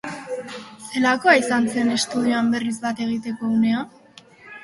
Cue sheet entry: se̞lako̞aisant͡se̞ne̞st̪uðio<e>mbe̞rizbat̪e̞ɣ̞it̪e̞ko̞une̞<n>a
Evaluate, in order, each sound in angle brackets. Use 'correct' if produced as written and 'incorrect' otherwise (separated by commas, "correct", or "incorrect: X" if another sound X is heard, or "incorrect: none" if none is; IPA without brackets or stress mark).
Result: incorrect: a, incorrect: none